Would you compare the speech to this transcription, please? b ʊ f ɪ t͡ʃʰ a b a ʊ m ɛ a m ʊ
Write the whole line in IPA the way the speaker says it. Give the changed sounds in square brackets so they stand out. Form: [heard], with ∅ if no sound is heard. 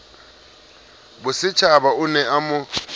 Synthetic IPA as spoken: b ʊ [s] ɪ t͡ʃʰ a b a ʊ [n] ɛ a m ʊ